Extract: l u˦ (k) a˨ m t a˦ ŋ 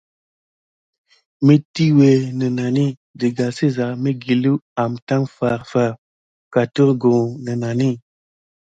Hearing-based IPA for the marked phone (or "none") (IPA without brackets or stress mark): none